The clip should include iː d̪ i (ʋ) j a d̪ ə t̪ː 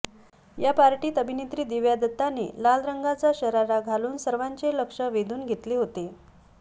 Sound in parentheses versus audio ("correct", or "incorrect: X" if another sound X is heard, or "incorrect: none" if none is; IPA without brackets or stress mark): correct